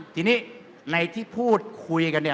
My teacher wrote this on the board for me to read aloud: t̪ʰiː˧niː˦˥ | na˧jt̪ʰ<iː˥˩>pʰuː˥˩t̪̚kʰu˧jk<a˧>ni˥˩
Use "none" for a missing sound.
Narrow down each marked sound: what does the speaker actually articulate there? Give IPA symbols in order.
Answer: iː˥˩, a˧

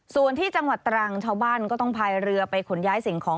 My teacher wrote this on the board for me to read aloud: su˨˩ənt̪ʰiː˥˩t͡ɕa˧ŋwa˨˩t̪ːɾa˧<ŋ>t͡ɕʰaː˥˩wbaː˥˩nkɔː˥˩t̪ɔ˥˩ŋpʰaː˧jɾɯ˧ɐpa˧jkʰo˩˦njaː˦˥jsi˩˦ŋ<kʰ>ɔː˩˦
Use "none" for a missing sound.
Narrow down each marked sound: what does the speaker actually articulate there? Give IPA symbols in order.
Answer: ŋ, kʰ

